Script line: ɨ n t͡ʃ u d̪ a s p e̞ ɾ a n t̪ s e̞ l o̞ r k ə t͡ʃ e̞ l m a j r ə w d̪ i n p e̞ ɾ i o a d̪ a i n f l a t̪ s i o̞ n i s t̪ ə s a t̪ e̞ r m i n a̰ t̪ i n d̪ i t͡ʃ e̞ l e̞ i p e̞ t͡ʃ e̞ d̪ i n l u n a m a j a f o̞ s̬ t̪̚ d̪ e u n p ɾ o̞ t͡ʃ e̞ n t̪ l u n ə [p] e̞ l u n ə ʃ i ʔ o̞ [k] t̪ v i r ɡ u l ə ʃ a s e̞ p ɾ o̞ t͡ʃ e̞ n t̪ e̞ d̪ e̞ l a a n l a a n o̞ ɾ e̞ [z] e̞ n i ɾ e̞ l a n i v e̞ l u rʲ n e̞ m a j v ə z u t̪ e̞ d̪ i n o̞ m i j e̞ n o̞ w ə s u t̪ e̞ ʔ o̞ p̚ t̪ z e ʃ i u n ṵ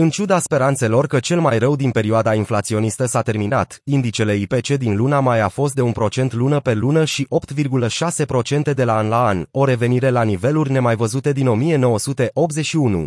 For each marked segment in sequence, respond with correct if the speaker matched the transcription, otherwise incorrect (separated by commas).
correct, incorrect, incorrect